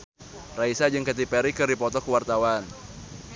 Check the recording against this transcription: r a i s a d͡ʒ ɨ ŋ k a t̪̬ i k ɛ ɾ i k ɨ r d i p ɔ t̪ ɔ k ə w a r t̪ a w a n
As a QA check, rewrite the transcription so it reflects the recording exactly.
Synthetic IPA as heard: r a i s a d͡ʒ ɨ ŋ k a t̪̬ i p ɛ ɾ i k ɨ r d i p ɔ t̪ ɔ k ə w a r t̪ a w a n